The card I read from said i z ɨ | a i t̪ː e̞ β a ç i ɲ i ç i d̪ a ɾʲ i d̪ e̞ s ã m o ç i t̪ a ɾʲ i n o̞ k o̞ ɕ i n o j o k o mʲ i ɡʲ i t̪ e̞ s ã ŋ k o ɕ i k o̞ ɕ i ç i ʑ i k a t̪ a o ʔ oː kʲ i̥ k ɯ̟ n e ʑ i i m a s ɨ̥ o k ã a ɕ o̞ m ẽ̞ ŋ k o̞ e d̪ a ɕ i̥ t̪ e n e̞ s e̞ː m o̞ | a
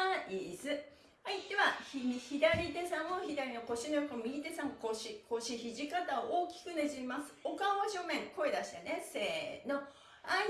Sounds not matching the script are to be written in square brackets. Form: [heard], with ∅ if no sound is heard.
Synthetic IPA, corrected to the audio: i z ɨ | a i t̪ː e̞ β a ç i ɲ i ç i d̪ a ɾʲ i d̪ e̞ s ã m o ç i [d̪] a ɾʲ i n o̞ k o̞ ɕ i n o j o k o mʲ i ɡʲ i t̪ e̞ s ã ŋ k o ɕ i k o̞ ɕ i ç i ʑ i k a t̪ a o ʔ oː kʲ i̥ k ɯ̟ n e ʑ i i m a s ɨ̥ o k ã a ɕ o̞ m ẽ̞ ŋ k o̞ e d̪ a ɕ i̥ t̪ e n e̞ s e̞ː [n] o̞ | a